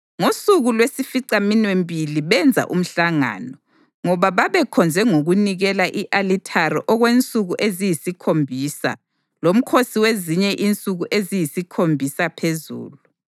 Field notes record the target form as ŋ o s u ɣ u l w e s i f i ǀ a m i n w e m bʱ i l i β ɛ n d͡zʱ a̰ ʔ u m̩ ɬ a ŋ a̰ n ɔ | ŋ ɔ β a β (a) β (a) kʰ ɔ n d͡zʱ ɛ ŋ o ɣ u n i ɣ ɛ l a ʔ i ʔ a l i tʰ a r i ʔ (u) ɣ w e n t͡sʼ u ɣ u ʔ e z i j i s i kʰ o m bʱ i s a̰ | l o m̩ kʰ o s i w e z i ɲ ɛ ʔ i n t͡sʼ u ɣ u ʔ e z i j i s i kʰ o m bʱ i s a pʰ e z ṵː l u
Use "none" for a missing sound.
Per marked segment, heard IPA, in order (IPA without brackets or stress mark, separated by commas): a, ɛ, ɔ